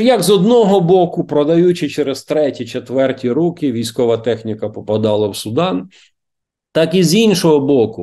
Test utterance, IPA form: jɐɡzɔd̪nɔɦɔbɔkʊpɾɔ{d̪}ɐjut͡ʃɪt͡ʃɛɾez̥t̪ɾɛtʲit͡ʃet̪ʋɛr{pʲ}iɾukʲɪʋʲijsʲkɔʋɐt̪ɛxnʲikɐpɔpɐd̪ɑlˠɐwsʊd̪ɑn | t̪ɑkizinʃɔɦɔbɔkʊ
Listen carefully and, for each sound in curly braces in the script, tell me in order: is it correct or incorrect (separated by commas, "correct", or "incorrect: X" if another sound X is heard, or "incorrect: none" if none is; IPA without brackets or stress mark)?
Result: correct, incorrect: tʲ